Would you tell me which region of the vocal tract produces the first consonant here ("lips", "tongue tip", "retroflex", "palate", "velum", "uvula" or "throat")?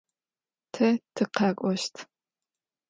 tongue tip